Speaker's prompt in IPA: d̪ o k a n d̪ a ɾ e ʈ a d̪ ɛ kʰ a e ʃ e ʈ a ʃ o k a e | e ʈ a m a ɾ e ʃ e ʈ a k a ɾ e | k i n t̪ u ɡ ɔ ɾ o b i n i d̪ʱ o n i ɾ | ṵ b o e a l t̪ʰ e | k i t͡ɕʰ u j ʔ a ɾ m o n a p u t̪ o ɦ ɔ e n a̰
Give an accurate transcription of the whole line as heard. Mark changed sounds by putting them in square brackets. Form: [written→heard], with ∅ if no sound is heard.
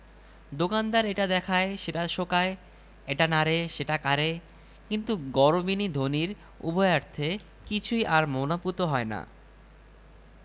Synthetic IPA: d̪ o k a n d̪ a ɾ e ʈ a d̪ ɛ kʰ a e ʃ e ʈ a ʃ o k a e | e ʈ a [m→n] a ɾ e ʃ e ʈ a k a ɾ e | k i n t̪ u ɡ ɔ ɾ o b i n i d̪ʱ o n i ɾ | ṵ b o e a [l→ɾ] t̪ʰ e | k i t͡ɕʰ u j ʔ a ɾ m o n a p u t̪ o ɦ ɔ e n a̰

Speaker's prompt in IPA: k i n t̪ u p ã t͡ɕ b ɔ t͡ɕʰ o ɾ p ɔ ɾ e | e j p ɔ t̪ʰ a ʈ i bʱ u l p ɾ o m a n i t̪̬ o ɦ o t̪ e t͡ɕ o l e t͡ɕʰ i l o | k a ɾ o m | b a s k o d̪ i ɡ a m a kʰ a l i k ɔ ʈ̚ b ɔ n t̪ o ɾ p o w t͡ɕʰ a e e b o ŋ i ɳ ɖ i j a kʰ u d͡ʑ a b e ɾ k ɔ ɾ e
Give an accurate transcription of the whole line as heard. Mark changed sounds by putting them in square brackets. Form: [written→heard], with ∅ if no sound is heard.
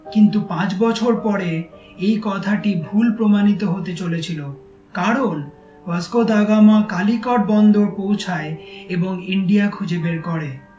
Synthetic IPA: k i n t̪ u p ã t͡ɕ b ɔ t͡ɕʰ o ɾ p ɔ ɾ e | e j [p→k] ɔ t̪ʰ a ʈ i bʱ u l p ɾ o m a n i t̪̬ o ɦ o t̪ e t͡ɕ o l e t͡ɕʰ i l o | k a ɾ o [m→n] | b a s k o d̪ [i→a] ɡ a m a [kʰ→k] a l i k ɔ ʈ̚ b ɔ n [t̪→d̪] o ɾ p o w t͡ɕʰ a e e b o ŋ i ɳ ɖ i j a kʰ u d͡ʑ [a→e] b e ɾ k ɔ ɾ e

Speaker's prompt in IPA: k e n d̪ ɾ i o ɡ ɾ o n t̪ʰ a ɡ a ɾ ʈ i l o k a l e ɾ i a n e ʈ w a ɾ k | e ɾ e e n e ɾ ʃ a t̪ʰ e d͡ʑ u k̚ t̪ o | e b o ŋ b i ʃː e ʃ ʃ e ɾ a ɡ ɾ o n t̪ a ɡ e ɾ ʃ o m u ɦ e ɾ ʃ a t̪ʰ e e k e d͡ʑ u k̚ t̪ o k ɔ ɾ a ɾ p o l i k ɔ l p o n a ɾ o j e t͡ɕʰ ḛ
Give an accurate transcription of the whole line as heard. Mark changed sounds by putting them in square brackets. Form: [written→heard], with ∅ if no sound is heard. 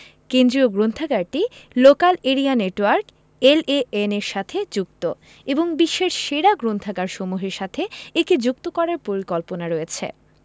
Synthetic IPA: k e n d̪ ɾ i o ɡ ɾ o n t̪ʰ a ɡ a ɾ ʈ i l o k a l e ɾ i a n e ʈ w a ɾ k | e [ɾ→l] e e n e ɾ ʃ a t̪ʰ e d͡ʑ u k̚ t̪ o | e b o ŋ b i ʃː e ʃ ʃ e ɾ a ɡ ɾ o n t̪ a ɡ [e→a] ɾ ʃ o m u ɦ e ɾ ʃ a t̪ʰ e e k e d͡ʑ u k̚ t̪ o k ɔ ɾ a ɾ p o [l→ɾ] i k ɔ l p o n a ɾ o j e t͡ɕʰ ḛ

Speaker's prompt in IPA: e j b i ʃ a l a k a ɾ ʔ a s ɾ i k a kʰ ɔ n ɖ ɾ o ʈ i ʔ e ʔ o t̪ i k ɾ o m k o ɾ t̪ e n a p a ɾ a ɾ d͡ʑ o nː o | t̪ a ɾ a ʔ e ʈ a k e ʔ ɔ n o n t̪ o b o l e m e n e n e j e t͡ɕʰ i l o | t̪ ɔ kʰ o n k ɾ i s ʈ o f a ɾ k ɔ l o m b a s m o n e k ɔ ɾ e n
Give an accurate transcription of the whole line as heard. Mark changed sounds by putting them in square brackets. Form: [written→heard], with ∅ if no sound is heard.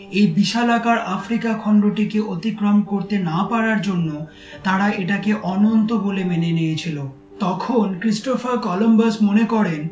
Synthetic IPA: e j b i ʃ a l a k a ɾ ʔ a [s→f] ɾ i k a kʰ ɔ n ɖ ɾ o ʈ i [ʔ→k] e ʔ o t̪ i k ɾ o m k o ɾ t̪ e n a p a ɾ a ɾ d͡ʑ o nː o | t̪ a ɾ a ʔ e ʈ a k e ʔ ɔ n o n t̪ o b o l e m e n e n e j e t͡ɕʰ i l o | t̪ ɔ kʰ o n k ɾ i s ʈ o f a ɾ k ɔ l o m b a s m o n e k ɔ ɾ e n

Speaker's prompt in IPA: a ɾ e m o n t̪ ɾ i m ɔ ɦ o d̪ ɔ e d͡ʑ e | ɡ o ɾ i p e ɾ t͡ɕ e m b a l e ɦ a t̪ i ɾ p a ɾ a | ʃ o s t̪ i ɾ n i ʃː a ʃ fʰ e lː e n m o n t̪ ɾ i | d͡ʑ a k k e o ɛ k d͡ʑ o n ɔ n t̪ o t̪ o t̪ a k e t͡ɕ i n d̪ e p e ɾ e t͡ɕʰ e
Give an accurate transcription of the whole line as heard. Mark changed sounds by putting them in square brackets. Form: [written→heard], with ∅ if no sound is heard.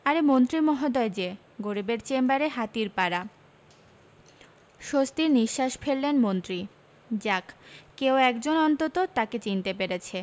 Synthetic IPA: a ɾ e m o n t̪ ɾ i m ɔ ɦ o d̪ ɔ e d͡ʑ e | ɡ o ɾ i [p→b] e ɾ t͡ɕ e m b a [l→ɾ] e ɦ a t̪ i ɾ p a ɾ a | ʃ o s t̪ i ɾ n i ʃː a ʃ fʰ e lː e n m o n t̪ ɾ i | d͡ʑ a k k e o ɛ k d͡ʑ o n ɔ n t̪ o t̪ o t̪ a k e t͡ɕ i n [d̪→t̪] e p e ɾ e t͡ɕʰ e

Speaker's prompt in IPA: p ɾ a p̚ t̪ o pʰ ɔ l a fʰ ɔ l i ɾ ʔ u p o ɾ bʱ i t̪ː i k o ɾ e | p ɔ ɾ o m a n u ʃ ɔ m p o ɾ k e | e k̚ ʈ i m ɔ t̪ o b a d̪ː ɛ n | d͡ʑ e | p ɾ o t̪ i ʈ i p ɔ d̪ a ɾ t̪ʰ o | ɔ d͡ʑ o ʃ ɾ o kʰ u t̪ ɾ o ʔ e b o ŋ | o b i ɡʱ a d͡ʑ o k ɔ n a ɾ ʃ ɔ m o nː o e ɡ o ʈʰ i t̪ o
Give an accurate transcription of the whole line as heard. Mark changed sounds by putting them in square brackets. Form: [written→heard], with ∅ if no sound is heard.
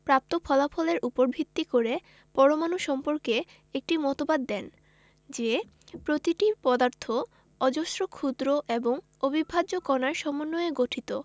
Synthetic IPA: p ɾ a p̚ t̪ o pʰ ɔ l a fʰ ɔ l [i→e] ɾ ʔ u p o ɾ bʱ i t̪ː i k o ɾ e | p ɔ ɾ o m a n u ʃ ɔ m p o ɾ k e | e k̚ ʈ i m ɔ t̪ o b a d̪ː ɛ n | d͡ʑ e | p ɾ o t̪ i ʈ i p ɔ d̪ a ɾ t̪ʰ o | ɔ d͡ʑ o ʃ ɾ o kʰ u [t̪→d̪] ɾ o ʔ e b o ŋ | o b i [ɡʱ→bʱ] a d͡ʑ o k ɔ n a ɾ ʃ ɔ m o nː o e ɡ o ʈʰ i t̪ o

